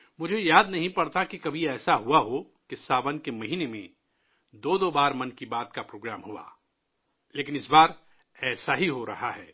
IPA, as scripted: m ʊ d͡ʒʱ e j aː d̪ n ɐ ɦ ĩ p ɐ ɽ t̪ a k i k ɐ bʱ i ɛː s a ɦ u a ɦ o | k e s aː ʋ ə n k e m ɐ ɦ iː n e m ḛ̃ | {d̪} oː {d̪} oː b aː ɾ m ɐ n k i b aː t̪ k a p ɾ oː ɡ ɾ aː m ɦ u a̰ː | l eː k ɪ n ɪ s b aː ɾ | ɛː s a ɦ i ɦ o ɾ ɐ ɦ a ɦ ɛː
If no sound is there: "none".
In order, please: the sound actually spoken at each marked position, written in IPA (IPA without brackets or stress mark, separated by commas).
d̪, d̪